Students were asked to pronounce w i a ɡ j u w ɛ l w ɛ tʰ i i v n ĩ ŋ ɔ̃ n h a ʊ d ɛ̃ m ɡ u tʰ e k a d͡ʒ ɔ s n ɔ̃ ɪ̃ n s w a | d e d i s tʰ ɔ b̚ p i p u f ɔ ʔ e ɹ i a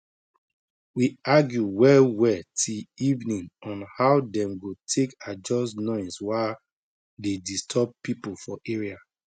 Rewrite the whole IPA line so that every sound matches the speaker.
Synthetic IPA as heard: w i a ɡ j u w ɛ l w ɛ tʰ i i v n ĩ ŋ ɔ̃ n h a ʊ d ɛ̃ m ɡ o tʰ e k a d͡ʒ ɔ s n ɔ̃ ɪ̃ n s w a | d e d i s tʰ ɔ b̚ p i p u f ɔ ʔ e ɹ i a